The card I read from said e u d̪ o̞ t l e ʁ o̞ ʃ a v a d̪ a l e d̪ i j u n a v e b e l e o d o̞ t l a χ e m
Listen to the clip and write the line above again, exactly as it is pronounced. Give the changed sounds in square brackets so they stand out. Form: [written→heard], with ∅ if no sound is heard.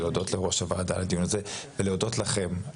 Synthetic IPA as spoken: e [u→o] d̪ o̞ t l e ʁ o̞ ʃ a v a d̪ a l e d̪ i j u n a [v→z] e [b→v] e l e o d o̞ t l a χ e m

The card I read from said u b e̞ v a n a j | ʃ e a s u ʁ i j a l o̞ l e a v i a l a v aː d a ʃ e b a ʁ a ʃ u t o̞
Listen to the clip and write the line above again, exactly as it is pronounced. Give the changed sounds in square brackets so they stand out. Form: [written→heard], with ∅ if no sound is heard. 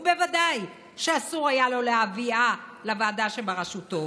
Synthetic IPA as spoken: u b e̞ v a [n→d] a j | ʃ e a s u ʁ [i→a] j a l o̞ l e a v i a l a v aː d a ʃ e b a ʁ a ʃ u t o̞

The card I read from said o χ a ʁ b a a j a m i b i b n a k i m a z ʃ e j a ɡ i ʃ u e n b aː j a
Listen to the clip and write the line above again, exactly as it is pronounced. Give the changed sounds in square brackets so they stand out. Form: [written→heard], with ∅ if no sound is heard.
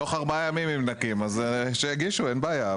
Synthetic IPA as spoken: o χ a ʁ b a a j a m i [b→m] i [b→m] n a k i m a z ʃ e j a ɡ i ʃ u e n b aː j a

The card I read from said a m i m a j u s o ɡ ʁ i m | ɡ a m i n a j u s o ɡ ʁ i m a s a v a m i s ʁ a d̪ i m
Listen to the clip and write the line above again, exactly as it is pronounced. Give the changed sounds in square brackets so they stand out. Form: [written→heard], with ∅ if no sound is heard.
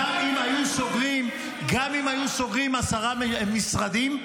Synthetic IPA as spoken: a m i m a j u s o ɡ ʁ i m | ɡ a m i [n→m] a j u s o ɡ ʁ i m a s a [v→ʁ] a m i s ʁ a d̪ i m

